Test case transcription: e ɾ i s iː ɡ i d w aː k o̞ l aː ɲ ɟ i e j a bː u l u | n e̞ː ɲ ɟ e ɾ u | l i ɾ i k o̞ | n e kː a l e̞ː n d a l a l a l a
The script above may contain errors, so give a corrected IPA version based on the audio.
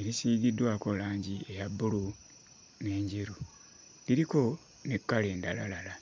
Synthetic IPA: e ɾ i s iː ɡ i d w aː k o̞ l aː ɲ ɟ i e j a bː u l u | n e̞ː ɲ ɟ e ɾ u | l i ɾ i k o̞ | n e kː a l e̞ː n d a l a l a l a